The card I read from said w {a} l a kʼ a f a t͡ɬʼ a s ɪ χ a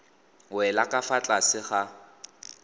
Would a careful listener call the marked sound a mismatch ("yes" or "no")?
yes